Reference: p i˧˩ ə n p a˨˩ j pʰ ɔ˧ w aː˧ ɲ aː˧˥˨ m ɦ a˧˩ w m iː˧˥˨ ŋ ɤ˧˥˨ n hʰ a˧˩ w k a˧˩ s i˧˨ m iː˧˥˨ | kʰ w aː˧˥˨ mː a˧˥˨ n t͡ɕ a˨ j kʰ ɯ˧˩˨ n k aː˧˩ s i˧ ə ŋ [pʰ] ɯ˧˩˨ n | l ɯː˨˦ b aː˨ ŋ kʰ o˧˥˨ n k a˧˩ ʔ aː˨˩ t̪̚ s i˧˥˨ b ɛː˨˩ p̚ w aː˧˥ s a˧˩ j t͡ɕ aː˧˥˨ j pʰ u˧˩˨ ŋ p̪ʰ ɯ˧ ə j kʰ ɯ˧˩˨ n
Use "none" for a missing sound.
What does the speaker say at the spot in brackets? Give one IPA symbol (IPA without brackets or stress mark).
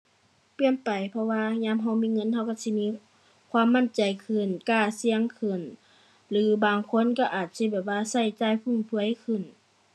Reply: kʰ